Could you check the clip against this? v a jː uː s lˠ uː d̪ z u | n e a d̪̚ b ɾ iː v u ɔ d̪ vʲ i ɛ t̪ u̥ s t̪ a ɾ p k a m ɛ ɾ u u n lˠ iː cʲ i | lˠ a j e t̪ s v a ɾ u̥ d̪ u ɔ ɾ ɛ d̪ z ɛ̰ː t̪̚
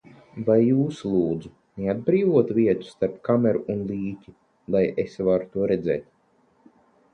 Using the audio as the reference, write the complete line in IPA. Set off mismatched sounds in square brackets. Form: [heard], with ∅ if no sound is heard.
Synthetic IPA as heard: v a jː uː s lˠ uː d̪ z u | n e a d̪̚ b ɾ iː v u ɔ [t̪] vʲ i ɛ t̪ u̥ s t̪ a ɾ p k a m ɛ ɾ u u n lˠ iː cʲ i | lˠ a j e [∅] s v a ɾ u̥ [t̪] u ɔ ɾ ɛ d̪ z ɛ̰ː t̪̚